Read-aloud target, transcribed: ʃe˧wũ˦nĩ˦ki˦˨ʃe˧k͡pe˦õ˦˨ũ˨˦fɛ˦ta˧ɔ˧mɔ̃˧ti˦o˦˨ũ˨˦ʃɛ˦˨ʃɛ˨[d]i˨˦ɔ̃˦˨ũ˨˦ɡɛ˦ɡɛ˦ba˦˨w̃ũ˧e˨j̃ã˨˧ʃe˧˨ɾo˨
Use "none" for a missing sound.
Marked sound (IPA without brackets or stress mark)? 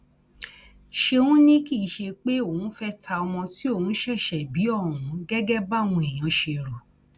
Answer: b